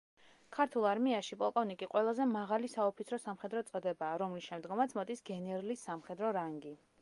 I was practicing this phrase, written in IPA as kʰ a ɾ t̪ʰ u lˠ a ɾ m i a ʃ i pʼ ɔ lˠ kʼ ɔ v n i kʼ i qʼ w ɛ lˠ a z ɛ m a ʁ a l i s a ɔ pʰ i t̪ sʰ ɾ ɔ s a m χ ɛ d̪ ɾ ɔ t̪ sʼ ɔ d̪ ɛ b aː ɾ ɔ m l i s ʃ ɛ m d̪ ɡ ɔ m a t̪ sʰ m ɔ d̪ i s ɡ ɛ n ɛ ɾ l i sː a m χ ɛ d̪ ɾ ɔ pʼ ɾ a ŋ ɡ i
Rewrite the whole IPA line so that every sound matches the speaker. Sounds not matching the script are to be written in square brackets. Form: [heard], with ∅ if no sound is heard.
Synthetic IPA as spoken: kʰ a ɾ t̪ʰ u lˠ a ɾ m i a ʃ i pʼ ɔ lˠ kʼ ɔ v n i kʼ i qʼ w ɛ lˠ a z ɛ m a ʁ a l i s a ɔ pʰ i t̪ sʰ ɾ ɔ s a m χ ɛ d̪ ɾ ɔ t̪ sʼ ɔ d̪ ɛ b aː ɾ ɔ m l i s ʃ ɛ m d̪ ɡ ɔ m a t̪ sʰ m ɔ d̪ i s ɡ ɛ n ɛ ɾ l i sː a m χ ɛ d̪ ɾ ɔ [∅] ɾ a ŋ ɡ i